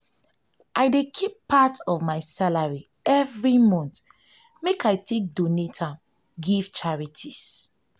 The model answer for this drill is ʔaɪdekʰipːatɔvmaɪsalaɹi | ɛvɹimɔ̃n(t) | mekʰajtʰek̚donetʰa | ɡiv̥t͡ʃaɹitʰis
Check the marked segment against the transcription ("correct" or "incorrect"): correct